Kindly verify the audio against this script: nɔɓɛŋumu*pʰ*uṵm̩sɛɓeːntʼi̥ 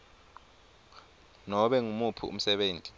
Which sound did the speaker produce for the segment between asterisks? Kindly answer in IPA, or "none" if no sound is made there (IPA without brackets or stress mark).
pʰ